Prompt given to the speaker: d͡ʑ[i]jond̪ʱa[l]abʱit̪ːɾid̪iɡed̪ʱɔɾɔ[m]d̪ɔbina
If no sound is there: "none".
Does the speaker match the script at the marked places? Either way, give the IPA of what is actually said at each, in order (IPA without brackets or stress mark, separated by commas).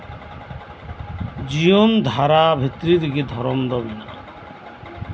i, ɾ, m